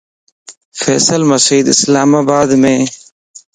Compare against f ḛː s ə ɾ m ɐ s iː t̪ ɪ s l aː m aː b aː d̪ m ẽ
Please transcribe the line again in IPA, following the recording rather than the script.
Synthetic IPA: f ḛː s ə l m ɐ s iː d̪ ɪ s l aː m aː b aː d̪ m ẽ

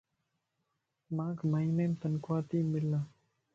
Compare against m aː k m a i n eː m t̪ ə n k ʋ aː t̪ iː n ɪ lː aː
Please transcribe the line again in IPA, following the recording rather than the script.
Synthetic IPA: m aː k m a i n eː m t̪ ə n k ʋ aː t̪ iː m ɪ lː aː

